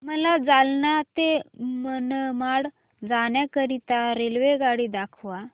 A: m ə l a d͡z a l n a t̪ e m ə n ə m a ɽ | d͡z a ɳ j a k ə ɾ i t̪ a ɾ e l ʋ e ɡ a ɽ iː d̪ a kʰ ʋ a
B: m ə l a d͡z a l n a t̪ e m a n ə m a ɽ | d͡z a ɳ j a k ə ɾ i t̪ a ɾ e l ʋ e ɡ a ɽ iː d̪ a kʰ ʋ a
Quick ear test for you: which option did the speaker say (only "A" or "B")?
A